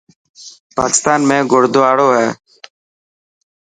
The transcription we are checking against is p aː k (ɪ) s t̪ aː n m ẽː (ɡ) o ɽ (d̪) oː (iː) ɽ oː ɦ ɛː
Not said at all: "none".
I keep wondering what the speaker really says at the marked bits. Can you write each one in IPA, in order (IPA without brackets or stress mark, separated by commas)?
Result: ɪ, ɡ, d̪, aː